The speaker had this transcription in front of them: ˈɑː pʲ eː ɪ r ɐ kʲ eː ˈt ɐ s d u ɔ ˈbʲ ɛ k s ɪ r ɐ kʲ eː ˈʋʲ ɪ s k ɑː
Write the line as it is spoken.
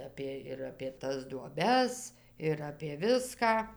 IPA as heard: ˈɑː pʲ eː ɪ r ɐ pʲ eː ˈt ɐ s d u ɔ ˈbʲ ɛ s ɪ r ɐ pʲ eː ˈʋʲ ɪ s k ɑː